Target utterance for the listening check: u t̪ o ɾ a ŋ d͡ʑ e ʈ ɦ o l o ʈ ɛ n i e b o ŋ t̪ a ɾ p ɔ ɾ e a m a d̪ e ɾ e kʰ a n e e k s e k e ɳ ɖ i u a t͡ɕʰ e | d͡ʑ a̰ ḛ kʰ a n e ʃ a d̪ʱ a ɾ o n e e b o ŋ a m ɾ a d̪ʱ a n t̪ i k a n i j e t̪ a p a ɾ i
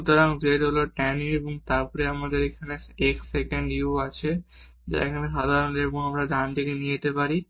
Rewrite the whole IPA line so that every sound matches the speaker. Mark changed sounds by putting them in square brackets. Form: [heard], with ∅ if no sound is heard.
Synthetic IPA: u t̪ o ɾ a ŋ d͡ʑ e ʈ ɦ o l o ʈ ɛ n i e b o ŋ t̪ a ɾ p ɔ ɾ e a m a d̪ e ɾ e kʰ a n e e k s e k e ɳ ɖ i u a t͡ɕʰ e | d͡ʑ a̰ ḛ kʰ a n e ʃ a d̪ʱ a ɾ o n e e b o ŋ a m ɾ a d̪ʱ a n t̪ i k [e] n i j e t̪ [e] p a ɾ i